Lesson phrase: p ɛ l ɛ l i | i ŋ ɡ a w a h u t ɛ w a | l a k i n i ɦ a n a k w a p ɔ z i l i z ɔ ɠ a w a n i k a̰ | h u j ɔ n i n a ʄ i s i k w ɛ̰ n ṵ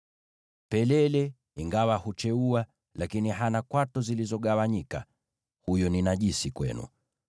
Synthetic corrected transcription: p ɛ l ɛ l ɛ | i ŋ ɡ a w a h u t͡ʃ ɛ u a | l a k i n i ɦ a n a k w a t ɔ z i l i z ɔ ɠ a w a ɲ i k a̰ | h u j ɔ n i n a ʄ i s i k w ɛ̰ n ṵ